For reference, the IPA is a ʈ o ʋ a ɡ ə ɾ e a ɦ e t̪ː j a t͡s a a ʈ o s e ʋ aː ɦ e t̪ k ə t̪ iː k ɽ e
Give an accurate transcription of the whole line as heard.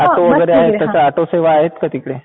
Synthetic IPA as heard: a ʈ o ʋ ə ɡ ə ɾ e a ɦ e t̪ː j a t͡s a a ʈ o s e ʋ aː ɦ e t̪ k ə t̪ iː k ɽ e